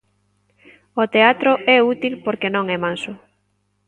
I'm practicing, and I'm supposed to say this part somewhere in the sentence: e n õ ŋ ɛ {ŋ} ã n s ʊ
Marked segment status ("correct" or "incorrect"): incorrect